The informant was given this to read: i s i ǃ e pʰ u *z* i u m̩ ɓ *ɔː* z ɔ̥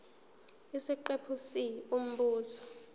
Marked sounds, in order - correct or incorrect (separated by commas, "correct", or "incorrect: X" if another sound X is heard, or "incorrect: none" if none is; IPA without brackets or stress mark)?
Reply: incorrect: s, incorrect: uː